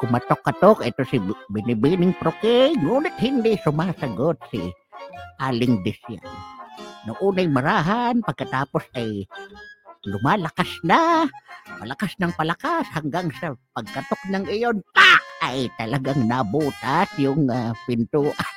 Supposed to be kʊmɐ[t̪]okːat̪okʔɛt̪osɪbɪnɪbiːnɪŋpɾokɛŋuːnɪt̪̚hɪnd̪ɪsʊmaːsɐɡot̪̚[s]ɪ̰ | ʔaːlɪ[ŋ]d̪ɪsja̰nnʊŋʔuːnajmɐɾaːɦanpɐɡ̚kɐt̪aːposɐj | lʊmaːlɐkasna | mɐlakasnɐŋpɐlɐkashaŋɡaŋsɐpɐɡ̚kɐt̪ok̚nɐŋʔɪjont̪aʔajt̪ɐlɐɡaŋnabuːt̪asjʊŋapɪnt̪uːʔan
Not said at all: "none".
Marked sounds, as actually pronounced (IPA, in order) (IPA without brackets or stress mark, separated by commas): t̪, s, ŋ